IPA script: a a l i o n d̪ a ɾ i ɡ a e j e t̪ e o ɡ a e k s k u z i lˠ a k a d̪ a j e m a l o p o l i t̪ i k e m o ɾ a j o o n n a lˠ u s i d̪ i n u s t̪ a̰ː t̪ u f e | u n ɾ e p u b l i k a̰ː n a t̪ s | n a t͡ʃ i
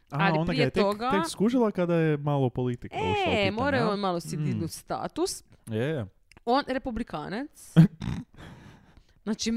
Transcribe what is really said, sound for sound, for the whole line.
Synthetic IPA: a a l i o n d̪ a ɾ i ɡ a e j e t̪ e o ɡ a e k s k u ʒ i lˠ a k a d̪ a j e m a l o p o l i t̪ i k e m o ɾ a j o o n m a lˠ o s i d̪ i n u s t̪ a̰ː t̪ u s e | o n ɾ e p u b l i k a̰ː n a t̪ s | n a t͡ʃ i